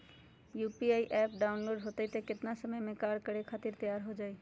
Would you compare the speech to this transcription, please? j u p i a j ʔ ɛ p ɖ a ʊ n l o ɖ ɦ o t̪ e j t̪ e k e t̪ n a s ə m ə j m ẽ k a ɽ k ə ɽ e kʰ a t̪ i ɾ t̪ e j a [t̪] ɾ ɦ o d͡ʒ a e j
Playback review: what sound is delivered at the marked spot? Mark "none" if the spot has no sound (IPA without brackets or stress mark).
none